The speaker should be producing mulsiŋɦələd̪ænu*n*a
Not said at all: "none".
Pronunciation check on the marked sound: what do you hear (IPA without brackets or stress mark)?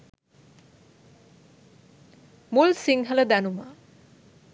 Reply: m